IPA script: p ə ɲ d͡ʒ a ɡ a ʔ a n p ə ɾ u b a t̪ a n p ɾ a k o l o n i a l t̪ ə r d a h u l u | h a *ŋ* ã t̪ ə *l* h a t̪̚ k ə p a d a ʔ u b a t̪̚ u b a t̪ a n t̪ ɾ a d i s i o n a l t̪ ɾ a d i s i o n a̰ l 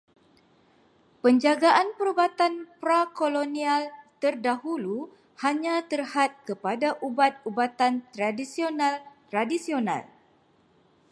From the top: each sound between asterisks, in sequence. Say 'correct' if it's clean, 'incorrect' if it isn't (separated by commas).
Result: incorrect, incorrect